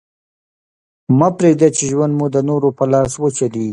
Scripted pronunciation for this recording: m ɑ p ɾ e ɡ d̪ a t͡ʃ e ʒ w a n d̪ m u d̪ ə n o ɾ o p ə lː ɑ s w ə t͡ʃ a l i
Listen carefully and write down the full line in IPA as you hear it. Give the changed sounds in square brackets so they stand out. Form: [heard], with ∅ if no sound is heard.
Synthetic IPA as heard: m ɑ p ɾ e ɡ d̪ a t͡ʃ e ʒ w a n d̪ m u d̪ ə n o ɾ o p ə [l] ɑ s w ə t͡ʃ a l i

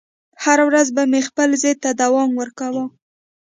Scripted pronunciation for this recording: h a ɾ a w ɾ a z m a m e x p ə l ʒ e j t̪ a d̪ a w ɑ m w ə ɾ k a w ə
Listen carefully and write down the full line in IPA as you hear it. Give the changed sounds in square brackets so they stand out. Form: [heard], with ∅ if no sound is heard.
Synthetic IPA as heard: h a ɾ a w ɾ a z [b] a m e x p ə l [z] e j t̪ a d̪ a w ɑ m w ə ɾ k a w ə

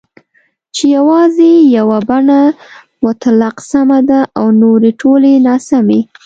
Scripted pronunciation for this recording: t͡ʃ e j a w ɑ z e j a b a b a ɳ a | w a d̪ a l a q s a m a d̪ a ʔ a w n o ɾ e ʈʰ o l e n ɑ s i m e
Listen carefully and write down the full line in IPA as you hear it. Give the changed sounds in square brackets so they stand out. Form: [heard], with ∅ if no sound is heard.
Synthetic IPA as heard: t͡ʃ e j a w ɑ z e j a [w] a b a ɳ a | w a [t̪] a l a q s a m a d̪ a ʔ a w n o ɾ e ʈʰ o l e n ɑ s [a] m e

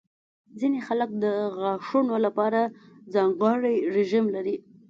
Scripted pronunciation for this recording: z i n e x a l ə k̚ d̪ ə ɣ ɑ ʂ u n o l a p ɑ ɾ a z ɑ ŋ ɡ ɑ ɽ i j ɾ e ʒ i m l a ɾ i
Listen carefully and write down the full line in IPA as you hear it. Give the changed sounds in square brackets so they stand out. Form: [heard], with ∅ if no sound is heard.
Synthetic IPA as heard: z i n e x a l ə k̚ d̪ ə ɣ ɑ ʂ u n o l a p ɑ ɾ a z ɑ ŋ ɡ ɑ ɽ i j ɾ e ʒ i m l a ɾ i

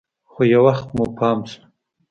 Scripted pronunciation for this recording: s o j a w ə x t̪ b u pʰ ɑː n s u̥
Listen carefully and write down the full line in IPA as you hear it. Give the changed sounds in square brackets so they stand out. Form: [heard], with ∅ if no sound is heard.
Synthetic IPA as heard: [x] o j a w [a] x t̪ [m] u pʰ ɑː [m] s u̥

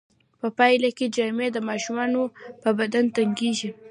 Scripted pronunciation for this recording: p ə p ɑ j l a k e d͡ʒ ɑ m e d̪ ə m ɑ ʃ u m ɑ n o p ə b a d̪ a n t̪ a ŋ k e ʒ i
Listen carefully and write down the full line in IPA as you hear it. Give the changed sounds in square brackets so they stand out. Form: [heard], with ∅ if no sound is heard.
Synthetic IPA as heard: p ə p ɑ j l a k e d͡ʒ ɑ m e d̪ ə m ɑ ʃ u m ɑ n o p ə b a d̪ a n t̪ a ŋ [ɡ] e ʒ i

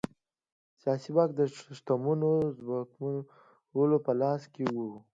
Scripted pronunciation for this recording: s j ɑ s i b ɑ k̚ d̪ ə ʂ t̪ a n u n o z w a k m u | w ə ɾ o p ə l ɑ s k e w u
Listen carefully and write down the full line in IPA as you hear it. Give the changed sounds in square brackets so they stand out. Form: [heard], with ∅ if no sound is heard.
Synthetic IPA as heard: s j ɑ s i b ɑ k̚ d̪ ə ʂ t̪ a [m] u n o z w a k m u | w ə [l] o p ə l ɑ s k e w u

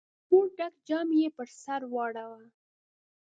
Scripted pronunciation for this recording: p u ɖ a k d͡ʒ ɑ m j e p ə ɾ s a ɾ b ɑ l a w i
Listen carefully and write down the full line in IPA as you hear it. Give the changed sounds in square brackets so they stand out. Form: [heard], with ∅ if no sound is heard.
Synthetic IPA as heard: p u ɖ a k d͡ʒ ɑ m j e p ə ɾ s a ɾ [w] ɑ [ɽ] a w [a]

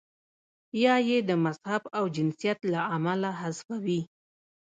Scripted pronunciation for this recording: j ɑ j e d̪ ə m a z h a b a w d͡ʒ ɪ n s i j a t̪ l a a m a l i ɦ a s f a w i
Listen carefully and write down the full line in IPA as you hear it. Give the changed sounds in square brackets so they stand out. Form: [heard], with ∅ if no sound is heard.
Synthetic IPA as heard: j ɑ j e d̪ ə m a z h a b a w d͡ʒ ɪ n s i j a t̪ l a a m a l [a] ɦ a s f a w i

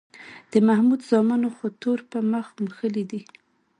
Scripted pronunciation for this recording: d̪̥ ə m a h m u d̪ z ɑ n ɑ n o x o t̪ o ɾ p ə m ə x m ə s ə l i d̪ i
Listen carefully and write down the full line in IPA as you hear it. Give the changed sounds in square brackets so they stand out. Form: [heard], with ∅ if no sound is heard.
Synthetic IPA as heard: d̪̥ ə m a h m u d̪ z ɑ [m] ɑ n o x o t̪ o ɾ p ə m ə x m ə [x] ə l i d̪ i

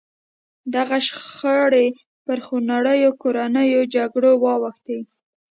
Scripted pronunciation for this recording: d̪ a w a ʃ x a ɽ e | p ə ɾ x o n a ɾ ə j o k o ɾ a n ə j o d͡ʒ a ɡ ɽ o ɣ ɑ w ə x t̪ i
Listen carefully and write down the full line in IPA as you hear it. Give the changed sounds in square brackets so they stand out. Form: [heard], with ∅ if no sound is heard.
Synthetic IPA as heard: d̪ a [ɣ] a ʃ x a ɽ e | p ə ɾ x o n a [ɽ] ə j o k o ɾ a n ə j o d͡ʒ a ɡ ɽ o [w] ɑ w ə x t̪ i

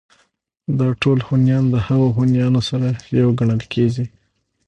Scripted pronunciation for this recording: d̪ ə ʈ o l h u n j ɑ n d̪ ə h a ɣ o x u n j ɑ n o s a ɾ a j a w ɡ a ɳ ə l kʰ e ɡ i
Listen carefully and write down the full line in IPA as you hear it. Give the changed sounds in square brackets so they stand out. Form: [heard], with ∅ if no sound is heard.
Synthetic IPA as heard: d̪ [ɑ] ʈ o l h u n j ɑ n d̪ ə h a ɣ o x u n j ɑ n o s a ɾ a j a w ɡ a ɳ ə l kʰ e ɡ i

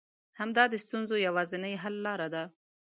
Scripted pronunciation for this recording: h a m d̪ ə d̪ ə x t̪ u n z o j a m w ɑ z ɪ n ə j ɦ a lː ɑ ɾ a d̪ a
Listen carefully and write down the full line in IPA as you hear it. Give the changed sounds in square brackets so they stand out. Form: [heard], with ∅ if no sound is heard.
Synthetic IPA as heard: h a m d̪ [ɑ] d̪ ə [s] t̪ u n z o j a [∅] w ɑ z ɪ n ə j ɦ a lː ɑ ɾ a d̪ a

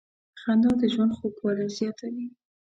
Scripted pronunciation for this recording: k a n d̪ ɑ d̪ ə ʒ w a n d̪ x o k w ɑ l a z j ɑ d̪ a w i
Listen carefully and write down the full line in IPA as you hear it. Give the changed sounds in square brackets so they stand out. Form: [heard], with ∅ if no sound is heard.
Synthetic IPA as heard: [x] a n d̪ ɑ d̪ ə ʒ w a n d̪ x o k w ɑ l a z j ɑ [t̪] a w i

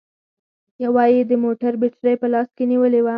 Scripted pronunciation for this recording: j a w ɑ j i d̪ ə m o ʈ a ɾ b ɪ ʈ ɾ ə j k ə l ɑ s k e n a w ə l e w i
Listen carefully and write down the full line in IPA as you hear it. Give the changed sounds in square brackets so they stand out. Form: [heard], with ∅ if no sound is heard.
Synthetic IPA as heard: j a w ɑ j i d̪ ə m o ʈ a ɾ b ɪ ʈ ɾ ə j [p] ə l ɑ s k e n [i] w ə l e w [a]

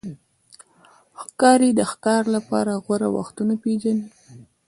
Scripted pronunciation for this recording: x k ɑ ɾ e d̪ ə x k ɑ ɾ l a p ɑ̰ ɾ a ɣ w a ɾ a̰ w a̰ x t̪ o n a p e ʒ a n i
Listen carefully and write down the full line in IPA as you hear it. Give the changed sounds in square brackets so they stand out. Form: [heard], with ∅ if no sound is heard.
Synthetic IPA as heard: x k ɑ ɾ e d̪ ə x k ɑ ɾ l a p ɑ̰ ɾ a ɣ w a ɾ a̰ w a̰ x t̪ [u] n a p e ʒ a n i

